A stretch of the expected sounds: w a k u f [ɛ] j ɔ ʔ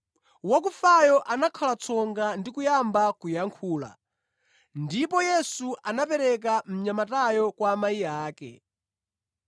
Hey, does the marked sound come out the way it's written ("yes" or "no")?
no